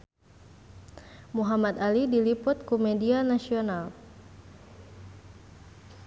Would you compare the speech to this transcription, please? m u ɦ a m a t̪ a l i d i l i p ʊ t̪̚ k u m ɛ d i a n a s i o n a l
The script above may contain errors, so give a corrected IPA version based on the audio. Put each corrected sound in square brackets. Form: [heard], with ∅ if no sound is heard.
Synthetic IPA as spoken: m u ɦ a m a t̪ a l i d i l i p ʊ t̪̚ k u m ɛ d i a n a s i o n a l